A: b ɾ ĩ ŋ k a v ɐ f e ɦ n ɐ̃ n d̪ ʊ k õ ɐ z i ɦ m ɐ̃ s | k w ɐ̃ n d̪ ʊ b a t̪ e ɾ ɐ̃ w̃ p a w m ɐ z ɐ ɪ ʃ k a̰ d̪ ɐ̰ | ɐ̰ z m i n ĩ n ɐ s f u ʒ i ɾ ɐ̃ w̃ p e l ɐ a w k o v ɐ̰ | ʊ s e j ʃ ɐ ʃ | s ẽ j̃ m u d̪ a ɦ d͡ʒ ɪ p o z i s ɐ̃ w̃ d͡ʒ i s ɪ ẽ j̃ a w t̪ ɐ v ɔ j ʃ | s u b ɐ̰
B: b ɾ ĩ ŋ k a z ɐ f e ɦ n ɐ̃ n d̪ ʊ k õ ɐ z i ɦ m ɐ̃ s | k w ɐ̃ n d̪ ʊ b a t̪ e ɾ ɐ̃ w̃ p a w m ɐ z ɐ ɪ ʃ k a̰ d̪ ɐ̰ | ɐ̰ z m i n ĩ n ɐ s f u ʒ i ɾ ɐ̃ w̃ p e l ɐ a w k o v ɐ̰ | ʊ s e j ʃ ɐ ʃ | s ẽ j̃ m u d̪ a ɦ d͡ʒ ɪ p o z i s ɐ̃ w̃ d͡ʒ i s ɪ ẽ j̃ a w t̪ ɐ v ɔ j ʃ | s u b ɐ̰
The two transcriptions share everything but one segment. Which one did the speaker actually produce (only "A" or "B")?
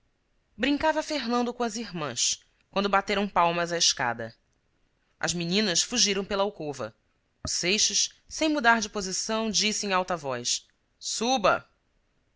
A